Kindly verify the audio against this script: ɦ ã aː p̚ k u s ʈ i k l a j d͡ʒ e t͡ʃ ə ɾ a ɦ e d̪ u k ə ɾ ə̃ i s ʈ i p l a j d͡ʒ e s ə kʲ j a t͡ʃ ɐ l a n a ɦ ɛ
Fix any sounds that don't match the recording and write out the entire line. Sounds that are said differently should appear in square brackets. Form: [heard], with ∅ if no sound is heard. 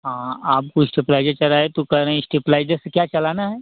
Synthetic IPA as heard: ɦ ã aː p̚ k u s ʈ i [p] l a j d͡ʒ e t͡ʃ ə ɾ a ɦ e [t̪] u k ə ɾ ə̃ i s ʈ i p l a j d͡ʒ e s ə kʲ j a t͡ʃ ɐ l a n a ɦ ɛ

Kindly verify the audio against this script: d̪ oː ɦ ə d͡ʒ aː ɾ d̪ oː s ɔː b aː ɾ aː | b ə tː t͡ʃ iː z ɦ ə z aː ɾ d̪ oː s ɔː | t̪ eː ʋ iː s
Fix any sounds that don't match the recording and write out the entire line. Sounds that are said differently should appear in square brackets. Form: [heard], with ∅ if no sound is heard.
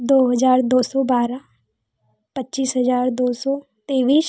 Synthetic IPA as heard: d̪ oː ɦ ə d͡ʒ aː ɾ d̪ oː s ɔː b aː ɾ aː | [p] ə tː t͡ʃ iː [s] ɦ ə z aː ɾ d̪ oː s ɔː | t̪ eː ʋ iː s

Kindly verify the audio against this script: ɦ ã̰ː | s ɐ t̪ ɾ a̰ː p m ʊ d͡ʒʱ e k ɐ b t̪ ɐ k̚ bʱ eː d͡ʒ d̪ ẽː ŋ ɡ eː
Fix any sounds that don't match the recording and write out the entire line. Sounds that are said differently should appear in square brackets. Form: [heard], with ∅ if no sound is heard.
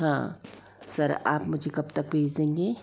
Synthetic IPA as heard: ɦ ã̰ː | s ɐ [∅] ɾ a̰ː p m ʊ d͡ʒʱ e k ɐ b t̪ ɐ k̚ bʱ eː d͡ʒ d̪ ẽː ŋ ɡ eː

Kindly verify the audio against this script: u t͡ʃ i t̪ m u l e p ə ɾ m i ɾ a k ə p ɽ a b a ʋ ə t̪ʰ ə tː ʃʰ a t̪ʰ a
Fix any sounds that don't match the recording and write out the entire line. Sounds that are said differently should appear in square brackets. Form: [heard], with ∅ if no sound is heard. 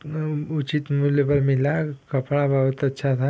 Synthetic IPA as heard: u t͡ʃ i t̪ m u l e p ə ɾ m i [l] a k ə p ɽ a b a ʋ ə [t̪] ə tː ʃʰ a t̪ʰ a

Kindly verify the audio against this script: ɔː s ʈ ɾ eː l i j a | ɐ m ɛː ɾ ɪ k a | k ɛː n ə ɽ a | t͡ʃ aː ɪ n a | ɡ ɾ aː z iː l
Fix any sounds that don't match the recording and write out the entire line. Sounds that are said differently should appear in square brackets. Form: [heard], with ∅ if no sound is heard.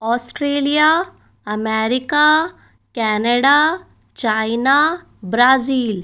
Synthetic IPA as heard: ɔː s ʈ ɾ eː l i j a | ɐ m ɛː ɾ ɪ k a | k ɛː n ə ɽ a | t͡ʃ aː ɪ n a | [b] ɾ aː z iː l

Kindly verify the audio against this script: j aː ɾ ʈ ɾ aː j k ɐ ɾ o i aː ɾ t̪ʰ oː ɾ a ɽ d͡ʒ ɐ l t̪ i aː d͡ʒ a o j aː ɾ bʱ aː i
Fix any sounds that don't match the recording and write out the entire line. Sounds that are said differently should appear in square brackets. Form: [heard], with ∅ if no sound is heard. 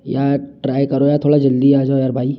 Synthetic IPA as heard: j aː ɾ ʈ ɾ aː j k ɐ ɾ o [j] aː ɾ t̪ʰ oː [ɽ] a [∅] d͡ʒ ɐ l [d̪] i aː d͡ʒ a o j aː ɾ bʱ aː i

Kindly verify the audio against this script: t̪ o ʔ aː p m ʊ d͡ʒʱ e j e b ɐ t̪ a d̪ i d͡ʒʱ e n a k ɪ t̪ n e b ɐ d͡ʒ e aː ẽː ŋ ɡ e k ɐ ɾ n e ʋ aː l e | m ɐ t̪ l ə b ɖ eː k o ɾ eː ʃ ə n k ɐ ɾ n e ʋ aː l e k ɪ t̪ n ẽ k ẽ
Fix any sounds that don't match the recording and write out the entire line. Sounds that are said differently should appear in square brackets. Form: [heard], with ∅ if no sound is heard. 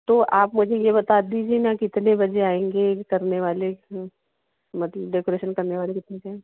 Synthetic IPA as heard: t̪ o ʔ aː p m ʊ d͡ʒʱ e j e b ɐ t̪ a d̪ i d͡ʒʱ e n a k ɪ t̪ n e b ɐ d͡ʒ e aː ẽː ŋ ɡ e k ɐ ɾ n e ʋ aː l e | m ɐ t̪ l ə b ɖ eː k o ɾ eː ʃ ə n k ɐ ɾ n e ʋ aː l e k ɪ t̪ n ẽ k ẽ

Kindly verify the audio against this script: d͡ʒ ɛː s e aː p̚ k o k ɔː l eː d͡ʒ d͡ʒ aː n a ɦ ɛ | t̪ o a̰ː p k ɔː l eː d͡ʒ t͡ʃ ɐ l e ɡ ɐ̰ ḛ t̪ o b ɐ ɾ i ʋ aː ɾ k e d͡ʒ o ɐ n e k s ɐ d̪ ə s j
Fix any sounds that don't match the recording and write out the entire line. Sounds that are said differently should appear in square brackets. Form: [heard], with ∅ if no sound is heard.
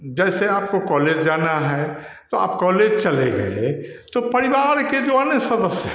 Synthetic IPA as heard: d͡ʒ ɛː s e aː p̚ k o k ɔː l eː d͡ʒ d͡ʒ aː n a ɦ ɛ | t̪ o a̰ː p k ɔː l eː d͡ʒ t͡ʃ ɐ l e ɡ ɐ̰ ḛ t̪ o [p] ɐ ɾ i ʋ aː ɾ k e d͡ʒ o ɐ n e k s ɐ d̪ ə s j

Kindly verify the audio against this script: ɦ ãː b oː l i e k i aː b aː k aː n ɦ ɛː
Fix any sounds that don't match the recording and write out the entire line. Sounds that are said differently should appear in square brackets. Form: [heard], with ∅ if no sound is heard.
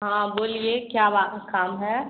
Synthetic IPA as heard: ɦ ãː b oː l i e k [j] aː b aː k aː [m] ɦ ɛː

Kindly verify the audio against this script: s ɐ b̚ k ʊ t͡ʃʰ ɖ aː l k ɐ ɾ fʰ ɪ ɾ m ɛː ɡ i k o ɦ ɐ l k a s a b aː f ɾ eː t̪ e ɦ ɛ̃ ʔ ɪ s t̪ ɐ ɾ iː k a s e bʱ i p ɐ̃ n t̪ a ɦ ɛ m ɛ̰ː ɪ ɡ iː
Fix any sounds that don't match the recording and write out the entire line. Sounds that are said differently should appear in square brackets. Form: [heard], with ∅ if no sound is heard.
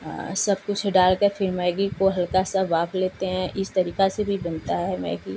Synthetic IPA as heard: s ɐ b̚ k ʊ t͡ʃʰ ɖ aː l k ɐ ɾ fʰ ɪ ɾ m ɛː ɡ i k o ɦ ɐ l k a s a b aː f [l] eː t̪ e ɦ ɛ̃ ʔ ɪ s t̪ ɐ ɾ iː k a s e bʱ i [b] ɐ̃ n t̪ a ɦ ɛ m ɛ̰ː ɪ ɡ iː

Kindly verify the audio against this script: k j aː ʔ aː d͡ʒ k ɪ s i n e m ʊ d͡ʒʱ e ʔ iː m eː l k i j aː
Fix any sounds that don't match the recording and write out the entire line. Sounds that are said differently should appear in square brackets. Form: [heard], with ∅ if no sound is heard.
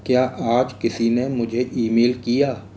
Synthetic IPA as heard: k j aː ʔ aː d͡ʒ k ɪ s i n e m ʊ d͡ʒʱ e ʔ iː m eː l k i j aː

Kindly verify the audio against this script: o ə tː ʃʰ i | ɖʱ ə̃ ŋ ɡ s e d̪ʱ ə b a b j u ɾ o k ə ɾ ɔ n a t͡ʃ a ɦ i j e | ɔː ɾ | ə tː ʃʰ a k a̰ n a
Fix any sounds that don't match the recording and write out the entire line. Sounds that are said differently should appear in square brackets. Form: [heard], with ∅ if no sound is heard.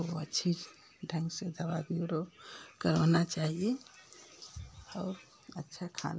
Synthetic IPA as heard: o ə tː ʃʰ i | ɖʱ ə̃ ŋ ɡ s e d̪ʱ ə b a b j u ɾ o k ə ɾ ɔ n a t͡ʃ a ɦ i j e | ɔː ɾ | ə tː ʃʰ a [kʰ] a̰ n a

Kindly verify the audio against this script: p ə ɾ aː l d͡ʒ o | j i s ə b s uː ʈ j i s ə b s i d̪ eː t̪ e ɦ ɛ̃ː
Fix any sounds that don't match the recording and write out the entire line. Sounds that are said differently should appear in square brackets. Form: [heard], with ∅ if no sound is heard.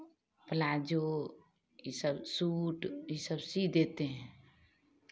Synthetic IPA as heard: p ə [l] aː [∅] d͡ʒ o | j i s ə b s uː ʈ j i s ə b s i d̪ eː t̪ e ɦ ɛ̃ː

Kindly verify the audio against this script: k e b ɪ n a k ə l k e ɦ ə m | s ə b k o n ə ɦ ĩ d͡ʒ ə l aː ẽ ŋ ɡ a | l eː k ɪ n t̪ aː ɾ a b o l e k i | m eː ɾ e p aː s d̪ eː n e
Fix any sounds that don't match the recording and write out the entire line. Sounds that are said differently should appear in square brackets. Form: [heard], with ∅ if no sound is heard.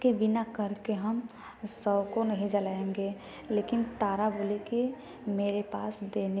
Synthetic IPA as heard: k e b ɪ n a k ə [ɾ] k e ɦ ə m | s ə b k o n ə ɦ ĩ d͡ʒ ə l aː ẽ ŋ ɡ [e] | l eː k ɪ n t̪ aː ɾ a b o l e k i | m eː ɾ e p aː s d̪ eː n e

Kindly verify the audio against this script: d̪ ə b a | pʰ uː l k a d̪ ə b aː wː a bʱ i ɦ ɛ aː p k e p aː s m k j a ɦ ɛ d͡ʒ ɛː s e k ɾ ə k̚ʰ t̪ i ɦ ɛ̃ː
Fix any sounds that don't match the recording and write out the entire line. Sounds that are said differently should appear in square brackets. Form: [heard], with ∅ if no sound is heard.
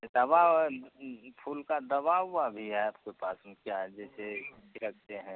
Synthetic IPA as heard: d̪ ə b a | pʰ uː l k a d̪ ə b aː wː a bʱ i ɦ ɛ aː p k e p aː s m k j a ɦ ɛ d͡ʒ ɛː s e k ɾ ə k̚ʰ t̪ [e] ɦ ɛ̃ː

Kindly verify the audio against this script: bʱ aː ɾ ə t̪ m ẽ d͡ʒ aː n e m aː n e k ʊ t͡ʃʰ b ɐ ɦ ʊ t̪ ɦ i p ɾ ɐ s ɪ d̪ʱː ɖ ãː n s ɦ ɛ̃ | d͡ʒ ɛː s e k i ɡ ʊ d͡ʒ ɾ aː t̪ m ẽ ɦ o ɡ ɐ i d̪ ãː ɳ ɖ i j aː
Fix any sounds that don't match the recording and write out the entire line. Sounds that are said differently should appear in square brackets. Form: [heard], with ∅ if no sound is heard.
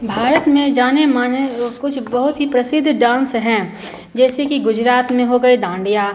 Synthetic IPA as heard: bʱ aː ɾ ə t̪ m ẽ d͡ʒ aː n e m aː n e k ʊ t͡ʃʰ b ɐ ɦ ʊ t̪ ɦ i p ɾ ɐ s ɪ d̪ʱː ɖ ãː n s ɦ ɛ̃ | d͡ʒ ɛː s e k i ɡ ʊ d͡ʒ ɾ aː t̪ m ẽ ɦ o ɡ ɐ i d̪ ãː ɳ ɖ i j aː

